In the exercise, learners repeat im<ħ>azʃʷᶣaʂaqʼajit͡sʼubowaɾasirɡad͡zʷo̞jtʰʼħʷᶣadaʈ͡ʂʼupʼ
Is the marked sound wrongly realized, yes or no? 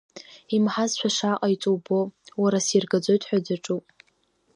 no